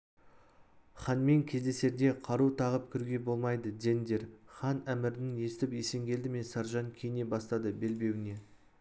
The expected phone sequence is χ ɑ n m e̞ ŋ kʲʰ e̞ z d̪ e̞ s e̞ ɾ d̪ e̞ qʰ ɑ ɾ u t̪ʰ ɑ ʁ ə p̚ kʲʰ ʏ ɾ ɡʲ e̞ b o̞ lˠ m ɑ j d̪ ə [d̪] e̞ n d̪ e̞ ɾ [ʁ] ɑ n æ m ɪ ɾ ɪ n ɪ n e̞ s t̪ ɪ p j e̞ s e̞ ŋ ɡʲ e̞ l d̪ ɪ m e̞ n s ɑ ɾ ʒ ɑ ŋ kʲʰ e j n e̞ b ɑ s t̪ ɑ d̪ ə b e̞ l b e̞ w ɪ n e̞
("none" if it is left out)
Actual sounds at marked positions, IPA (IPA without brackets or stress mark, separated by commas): d̪, χ